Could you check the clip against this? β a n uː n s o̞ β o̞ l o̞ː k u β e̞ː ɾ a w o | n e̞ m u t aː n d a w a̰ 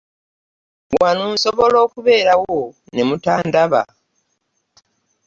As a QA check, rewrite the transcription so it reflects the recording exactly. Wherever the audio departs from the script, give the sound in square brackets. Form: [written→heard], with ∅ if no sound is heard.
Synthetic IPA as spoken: [β→w] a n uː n s o̞ β o̞ l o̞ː k u β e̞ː ɾ a w o | n e̞ m u t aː n d a [w→β] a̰

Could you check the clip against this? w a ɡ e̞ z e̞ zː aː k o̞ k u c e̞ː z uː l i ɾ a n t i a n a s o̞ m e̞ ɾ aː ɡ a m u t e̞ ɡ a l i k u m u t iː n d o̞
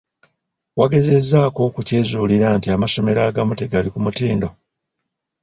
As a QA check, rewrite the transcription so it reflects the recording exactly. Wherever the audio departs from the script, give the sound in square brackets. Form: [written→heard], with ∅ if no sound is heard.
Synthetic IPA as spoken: w a ɡ e̞ z e̞ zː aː k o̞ k u c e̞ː z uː l i ɾ a n t i a [n→m] a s o̞ m e̞ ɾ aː ɡ a m u t e̞ ɡ a l i k u m u t iː n d o̞

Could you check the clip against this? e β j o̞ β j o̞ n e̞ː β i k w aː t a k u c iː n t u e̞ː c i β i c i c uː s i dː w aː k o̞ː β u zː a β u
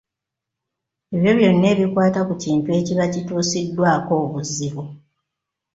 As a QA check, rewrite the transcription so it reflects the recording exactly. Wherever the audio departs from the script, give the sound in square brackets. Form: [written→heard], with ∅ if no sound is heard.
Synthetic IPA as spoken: e β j o̞ β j o̞ [n→nː] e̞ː β i k w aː t a k u c iː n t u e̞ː c i β [i→a] c i [c→t] uː s i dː w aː k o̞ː β u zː [a→i] β u

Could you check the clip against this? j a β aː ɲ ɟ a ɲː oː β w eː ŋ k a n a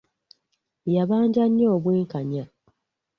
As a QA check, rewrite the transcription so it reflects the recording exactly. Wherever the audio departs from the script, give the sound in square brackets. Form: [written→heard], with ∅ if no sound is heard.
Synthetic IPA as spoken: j a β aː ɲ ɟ a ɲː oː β w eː ŋ k a [n→ɲ] a

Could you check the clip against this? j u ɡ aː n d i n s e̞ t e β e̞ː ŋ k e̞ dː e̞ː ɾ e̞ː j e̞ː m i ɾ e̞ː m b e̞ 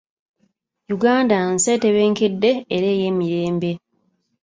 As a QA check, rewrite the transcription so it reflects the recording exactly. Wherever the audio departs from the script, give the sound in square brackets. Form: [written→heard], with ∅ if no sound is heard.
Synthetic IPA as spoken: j u ɡ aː n d [i→a] n s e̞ t e β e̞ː ŋ k e̞ dː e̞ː ɾ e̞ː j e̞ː m i ɾ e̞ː m b e̞

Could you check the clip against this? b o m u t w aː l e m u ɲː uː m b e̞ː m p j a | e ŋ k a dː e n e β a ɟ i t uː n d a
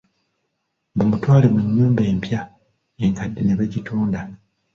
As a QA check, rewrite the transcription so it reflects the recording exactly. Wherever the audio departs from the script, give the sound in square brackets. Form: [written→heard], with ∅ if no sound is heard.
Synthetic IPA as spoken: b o m u t w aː l e m u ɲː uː m b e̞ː m p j a | e ŋ k a dː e n e β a ɟ i t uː n d a

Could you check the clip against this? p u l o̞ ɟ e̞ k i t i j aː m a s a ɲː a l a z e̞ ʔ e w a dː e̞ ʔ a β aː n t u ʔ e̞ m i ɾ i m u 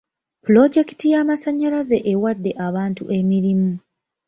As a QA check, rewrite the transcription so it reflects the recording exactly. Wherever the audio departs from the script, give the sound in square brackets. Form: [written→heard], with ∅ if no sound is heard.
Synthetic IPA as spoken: p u l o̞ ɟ e̞ k i t i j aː m a s a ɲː a l a z e̞ ʔ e w a dː e̞ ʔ a β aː n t u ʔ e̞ m i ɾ i m u

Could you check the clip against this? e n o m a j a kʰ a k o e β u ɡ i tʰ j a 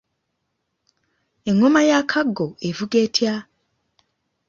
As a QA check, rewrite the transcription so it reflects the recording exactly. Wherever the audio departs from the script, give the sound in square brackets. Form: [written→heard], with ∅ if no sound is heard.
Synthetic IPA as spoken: e [n→ŋ] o m a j a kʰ a [k→ɡ] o e [β→v] u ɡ [i→e] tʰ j a

